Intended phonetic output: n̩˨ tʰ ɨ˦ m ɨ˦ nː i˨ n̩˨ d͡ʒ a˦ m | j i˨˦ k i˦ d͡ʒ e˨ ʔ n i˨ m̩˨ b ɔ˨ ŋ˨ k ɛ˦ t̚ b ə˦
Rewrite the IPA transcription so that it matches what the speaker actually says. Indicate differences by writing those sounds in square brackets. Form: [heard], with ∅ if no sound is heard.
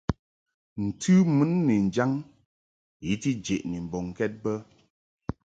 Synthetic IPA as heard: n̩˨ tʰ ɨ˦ m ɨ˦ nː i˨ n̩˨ d͡ʒ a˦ [ŋ] | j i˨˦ [t] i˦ d͡ʒ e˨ ʔ n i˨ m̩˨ b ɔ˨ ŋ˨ k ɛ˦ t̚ b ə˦